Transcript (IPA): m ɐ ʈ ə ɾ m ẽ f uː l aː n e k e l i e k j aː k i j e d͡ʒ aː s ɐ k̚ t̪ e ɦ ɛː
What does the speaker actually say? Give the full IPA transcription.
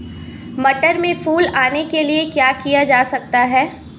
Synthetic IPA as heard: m ɐ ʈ ə ɾ m ẽ f uː l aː n e k e l i e k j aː k i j a d͡ʒ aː s ɐ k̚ t̪ a ɦ ɛː